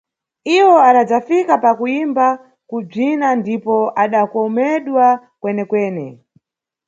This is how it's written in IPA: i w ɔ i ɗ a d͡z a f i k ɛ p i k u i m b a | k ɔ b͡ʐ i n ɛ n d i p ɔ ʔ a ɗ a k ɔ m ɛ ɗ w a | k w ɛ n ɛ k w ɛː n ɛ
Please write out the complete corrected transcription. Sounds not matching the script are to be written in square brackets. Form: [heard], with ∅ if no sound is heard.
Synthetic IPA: i w ɔ [a] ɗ a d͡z a f i k [a] p [a] k u i m b a | k [u] b͡ʐ i n [a] n d i p ɔ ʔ a ɗ a k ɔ m ɛ ɗ w a | k w ɛ n ɛ k w ɛː n ɛ